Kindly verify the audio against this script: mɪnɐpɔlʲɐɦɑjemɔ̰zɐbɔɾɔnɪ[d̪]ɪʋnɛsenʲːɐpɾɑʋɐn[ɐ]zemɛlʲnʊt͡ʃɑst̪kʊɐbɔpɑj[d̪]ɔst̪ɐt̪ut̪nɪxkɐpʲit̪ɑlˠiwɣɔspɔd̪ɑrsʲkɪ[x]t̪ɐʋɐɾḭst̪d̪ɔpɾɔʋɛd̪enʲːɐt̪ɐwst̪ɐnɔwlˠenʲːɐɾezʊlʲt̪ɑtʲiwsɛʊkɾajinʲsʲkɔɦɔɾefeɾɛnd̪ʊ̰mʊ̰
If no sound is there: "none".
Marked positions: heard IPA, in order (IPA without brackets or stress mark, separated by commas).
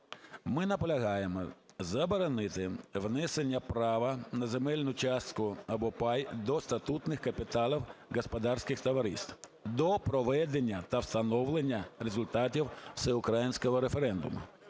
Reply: t̪, ɐ, d̪, x